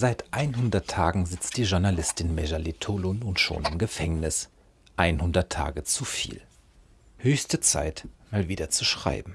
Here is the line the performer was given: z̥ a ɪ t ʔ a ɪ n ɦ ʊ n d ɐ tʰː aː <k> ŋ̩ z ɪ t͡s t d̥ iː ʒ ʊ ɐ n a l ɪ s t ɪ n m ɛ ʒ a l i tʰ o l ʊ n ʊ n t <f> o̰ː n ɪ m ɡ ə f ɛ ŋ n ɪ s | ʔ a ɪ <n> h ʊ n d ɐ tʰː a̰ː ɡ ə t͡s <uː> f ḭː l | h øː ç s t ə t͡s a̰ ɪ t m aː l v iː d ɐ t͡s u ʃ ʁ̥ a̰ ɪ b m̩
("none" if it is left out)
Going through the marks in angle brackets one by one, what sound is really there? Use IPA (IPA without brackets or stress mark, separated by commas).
ɡ, ʃ, n, u